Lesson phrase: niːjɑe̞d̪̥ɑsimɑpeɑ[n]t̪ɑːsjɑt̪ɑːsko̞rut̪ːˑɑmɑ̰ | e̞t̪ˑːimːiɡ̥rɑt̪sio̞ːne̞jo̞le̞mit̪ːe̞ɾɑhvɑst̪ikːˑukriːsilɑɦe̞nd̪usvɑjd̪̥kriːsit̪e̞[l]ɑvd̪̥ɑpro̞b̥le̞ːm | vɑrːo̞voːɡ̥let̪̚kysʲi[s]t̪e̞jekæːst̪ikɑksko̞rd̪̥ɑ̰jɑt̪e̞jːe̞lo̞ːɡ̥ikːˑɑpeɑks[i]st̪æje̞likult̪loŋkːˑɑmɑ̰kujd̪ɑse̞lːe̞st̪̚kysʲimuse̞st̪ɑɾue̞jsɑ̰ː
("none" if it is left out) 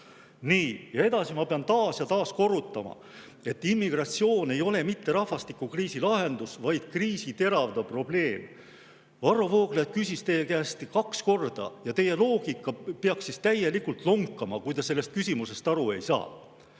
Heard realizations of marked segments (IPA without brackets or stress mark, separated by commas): n, ɾ, s, i